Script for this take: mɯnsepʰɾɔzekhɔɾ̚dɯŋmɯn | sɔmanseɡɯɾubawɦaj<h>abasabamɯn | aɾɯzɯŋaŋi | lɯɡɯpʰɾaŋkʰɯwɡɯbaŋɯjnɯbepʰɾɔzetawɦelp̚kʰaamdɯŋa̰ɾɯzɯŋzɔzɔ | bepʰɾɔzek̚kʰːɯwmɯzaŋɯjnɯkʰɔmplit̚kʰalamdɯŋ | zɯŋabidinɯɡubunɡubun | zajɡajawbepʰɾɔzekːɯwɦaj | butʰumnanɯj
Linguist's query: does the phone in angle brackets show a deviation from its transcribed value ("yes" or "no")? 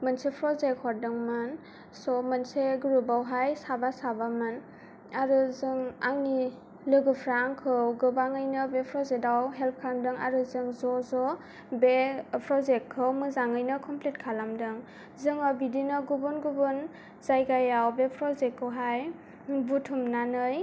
yes